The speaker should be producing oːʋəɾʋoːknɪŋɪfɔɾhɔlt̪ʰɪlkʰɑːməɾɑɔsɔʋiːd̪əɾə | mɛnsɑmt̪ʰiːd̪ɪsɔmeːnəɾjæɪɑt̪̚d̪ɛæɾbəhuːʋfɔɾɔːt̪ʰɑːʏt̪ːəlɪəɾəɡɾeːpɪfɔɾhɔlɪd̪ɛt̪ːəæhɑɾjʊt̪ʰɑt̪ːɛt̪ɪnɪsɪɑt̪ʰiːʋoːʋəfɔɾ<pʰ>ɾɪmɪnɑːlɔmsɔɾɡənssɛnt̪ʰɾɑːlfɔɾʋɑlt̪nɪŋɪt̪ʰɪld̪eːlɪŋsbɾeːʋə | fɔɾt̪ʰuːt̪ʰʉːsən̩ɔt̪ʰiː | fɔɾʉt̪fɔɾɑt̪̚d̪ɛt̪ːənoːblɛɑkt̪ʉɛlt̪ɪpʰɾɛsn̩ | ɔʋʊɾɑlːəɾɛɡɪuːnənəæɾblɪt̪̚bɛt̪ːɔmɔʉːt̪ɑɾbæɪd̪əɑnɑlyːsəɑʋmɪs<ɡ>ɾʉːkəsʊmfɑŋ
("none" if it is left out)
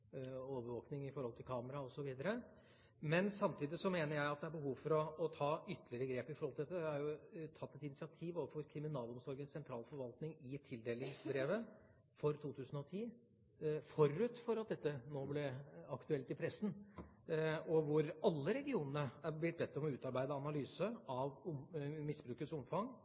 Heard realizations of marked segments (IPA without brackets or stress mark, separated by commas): kʰ, b